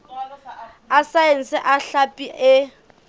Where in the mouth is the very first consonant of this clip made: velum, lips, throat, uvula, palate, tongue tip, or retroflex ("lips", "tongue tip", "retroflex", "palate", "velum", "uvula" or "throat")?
tongue tip